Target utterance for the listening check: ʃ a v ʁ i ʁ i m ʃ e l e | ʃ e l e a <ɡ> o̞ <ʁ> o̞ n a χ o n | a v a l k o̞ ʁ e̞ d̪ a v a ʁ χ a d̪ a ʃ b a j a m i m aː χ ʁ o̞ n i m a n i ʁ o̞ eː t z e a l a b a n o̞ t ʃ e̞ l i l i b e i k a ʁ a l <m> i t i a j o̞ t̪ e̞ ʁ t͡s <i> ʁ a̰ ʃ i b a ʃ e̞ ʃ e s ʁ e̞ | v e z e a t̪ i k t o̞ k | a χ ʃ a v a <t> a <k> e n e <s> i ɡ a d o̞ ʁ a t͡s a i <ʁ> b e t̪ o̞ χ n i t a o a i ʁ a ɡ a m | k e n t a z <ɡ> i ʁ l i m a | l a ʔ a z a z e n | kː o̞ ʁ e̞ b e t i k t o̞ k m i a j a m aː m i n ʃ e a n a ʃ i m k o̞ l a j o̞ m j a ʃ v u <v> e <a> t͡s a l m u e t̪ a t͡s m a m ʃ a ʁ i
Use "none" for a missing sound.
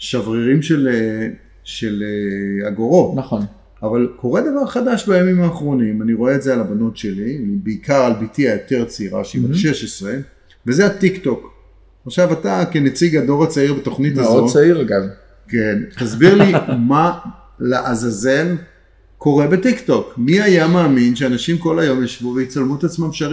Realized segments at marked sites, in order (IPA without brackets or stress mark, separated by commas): ɡ, ʁ, b, i, t, k, t͡s, ʁ, b, v, i